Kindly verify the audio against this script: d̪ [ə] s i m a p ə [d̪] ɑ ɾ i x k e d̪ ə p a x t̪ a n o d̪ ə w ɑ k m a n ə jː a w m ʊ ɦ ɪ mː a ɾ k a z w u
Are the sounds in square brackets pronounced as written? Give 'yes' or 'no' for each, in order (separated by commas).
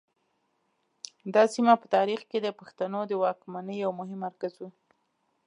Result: no, no